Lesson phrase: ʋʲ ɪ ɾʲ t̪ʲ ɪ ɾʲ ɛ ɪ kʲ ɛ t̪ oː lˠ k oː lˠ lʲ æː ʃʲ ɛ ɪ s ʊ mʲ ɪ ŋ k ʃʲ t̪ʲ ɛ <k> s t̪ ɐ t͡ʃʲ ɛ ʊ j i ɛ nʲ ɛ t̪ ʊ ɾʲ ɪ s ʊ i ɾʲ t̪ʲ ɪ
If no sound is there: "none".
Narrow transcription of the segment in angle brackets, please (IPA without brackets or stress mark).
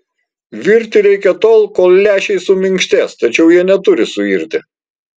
none